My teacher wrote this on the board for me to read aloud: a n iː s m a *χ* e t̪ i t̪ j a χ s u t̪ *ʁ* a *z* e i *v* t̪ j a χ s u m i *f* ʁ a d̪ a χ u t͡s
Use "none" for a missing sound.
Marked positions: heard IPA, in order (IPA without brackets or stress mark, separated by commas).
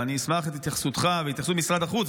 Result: χ, χ, v, none, s